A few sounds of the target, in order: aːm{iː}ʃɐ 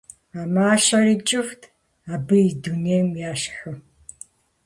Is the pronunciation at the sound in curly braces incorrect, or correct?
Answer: incorrect